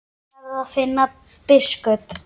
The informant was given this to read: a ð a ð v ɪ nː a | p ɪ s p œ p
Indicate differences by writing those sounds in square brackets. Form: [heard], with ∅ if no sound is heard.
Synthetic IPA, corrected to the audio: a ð a ð [f] ɪ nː a | p ɪ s [k] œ p